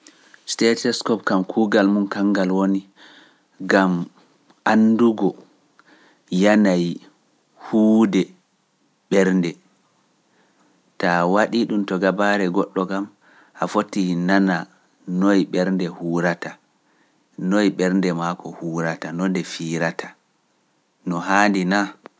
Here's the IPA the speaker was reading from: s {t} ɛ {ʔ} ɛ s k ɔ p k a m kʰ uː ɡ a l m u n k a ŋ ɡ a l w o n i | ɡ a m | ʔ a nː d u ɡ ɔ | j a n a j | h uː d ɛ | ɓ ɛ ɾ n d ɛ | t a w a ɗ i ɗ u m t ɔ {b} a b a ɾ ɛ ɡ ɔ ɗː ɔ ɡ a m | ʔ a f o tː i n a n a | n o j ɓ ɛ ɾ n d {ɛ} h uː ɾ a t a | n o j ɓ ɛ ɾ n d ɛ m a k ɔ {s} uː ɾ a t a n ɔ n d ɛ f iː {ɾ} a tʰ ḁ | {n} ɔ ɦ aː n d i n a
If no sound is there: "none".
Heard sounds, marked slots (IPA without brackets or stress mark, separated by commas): t, t, ɡ, ɛ, h, ɾ, n